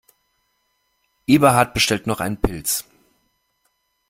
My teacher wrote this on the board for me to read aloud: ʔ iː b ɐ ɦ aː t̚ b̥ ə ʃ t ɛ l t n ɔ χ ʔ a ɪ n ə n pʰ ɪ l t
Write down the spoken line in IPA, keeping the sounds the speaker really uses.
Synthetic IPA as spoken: ʔ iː b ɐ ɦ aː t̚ b̥ ə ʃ t ɛ l t n ɔ χ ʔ a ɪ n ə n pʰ ɪ l t͡s